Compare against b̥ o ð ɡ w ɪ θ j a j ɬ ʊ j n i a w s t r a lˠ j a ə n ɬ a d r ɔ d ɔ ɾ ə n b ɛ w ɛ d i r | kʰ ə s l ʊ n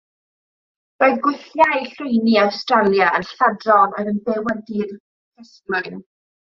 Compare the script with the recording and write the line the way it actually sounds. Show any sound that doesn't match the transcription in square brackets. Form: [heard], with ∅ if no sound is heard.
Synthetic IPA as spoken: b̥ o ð ɡ w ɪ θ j a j ɬ ʊ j n i a w s t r a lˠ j a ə n ɬ a d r ɔ [n] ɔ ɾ ə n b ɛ w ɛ d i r | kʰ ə s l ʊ n